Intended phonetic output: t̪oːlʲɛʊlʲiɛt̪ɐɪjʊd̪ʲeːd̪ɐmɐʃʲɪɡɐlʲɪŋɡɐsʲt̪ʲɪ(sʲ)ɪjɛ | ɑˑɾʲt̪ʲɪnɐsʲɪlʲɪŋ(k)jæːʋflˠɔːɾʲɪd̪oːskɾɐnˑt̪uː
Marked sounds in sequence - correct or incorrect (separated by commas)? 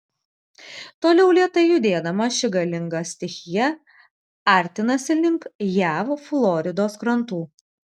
incorrect, correct